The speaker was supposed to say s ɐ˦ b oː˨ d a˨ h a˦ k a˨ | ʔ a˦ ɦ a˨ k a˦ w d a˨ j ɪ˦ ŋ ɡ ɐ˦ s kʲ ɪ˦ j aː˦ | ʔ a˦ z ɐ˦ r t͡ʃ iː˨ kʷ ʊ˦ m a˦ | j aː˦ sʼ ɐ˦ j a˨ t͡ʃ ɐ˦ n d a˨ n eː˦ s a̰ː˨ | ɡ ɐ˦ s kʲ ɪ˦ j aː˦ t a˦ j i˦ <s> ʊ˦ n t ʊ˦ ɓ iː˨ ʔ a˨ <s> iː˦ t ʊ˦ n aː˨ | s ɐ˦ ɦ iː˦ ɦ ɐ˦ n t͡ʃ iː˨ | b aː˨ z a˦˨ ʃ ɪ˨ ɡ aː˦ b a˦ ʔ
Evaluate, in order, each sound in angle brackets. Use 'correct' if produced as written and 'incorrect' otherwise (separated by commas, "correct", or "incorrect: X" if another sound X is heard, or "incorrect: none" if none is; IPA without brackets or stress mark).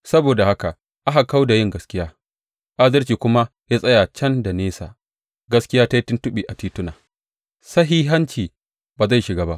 incorrect: t, incorrect: t